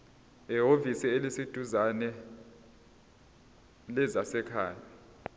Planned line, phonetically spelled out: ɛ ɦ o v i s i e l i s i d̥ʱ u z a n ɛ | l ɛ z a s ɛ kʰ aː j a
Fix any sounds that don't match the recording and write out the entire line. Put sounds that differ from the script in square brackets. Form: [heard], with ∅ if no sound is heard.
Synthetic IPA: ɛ ɦ o v i s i e l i s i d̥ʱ u z a n ɛ | l ɛ z a s ɛ kʰ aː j a